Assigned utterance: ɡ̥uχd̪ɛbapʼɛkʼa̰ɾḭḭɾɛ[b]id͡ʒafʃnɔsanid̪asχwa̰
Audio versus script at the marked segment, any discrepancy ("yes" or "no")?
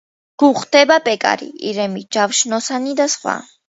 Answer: yes